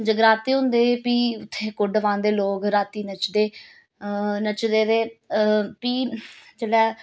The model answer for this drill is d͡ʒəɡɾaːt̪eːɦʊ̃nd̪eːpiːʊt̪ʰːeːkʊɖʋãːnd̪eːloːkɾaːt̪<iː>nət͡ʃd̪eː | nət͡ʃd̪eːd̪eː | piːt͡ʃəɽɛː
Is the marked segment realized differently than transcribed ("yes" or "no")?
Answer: no